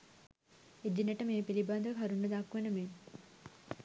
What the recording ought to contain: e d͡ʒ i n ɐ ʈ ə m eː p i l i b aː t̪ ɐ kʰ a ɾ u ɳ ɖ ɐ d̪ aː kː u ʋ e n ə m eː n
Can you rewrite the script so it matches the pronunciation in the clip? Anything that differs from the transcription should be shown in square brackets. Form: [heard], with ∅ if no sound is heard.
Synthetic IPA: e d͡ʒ i n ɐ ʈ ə m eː p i l i b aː [d̪] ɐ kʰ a ɾ u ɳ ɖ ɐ d̪ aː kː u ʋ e n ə m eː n